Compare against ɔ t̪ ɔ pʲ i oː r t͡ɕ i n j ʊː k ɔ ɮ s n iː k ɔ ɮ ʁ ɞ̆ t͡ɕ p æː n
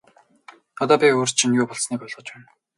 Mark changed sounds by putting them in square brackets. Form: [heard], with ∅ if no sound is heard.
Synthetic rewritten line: ɔ t̪ [ɔː] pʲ i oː r [t͡ɕʰ] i n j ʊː [p] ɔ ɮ s n iː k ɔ ɮ ʁ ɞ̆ t͡ɕ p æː n